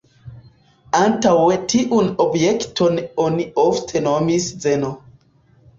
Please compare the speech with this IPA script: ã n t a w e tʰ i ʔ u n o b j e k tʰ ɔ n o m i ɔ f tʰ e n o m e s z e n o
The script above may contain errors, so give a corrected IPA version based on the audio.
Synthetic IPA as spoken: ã n t a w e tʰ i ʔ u n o b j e k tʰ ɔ n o n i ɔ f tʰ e n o m i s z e n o